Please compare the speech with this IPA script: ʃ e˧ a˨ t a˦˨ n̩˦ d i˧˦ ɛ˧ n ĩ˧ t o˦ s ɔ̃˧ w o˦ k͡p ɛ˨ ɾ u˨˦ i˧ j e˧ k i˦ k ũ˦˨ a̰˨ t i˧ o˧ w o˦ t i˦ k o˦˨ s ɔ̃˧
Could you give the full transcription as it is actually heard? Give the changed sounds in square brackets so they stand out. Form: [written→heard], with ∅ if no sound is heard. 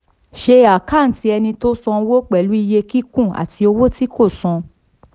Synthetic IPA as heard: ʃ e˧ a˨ [t→k] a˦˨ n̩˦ [d→t] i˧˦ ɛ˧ n ĩ˧ t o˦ s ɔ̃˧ w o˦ k͡p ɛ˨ [ɾ→l] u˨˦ i˧ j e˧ k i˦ k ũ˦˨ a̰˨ t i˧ o˧ w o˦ t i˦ k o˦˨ s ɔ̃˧